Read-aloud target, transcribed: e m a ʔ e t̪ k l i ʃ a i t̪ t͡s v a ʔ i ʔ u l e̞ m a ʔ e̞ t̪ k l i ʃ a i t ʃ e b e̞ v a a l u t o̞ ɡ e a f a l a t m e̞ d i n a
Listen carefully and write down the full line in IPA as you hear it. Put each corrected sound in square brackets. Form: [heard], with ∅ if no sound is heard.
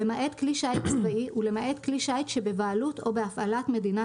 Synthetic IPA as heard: e m a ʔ e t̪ k l i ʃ a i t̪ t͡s v a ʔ i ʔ u l e̞ m a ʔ e̞ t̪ k l i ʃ a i t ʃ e b e̞ v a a l u t o̞ [b] e a f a l a t m e̞ d i n a